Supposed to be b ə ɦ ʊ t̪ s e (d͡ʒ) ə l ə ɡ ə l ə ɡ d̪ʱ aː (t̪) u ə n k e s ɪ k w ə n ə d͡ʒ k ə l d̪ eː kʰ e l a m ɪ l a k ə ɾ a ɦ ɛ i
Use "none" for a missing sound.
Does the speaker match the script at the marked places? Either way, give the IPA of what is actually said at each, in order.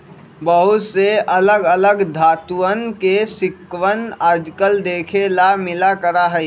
none, t̪

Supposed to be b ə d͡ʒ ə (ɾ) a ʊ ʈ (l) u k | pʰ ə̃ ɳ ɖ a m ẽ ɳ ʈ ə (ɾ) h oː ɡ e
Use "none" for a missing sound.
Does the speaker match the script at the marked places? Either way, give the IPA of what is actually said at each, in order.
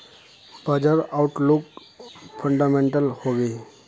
ɾ, l, l

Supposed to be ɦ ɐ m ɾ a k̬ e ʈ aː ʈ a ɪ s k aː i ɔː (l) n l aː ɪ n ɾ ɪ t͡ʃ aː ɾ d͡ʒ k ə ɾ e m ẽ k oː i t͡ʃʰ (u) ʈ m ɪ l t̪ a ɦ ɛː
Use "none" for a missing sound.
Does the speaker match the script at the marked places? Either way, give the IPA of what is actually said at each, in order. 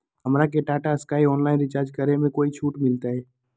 none, uː

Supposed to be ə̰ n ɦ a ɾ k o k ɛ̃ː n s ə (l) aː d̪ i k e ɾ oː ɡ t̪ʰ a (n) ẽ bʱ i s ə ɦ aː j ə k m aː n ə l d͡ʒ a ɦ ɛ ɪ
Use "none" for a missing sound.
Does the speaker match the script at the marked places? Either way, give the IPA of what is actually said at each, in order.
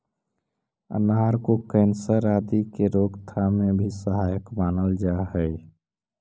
ɾ, m

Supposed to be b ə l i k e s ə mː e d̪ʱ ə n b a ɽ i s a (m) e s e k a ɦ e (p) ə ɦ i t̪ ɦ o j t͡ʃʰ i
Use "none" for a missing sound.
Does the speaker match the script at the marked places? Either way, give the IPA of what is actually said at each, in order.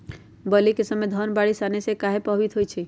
n, p

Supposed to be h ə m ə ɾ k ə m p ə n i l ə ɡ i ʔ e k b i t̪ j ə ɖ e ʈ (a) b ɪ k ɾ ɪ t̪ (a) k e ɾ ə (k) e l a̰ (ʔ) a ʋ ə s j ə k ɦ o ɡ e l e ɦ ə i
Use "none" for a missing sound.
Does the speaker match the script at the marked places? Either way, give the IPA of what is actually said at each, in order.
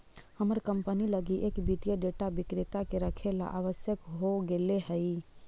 a, a, kʰ, ʔ

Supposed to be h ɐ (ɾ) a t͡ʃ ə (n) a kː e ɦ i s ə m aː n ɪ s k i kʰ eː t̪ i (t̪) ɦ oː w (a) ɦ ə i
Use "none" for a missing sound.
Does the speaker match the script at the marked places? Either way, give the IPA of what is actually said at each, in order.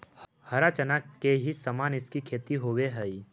ɾ, n, none, e

